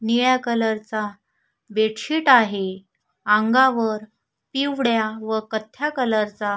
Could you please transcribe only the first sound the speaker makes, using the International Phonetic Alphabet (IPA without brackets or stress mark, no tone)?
n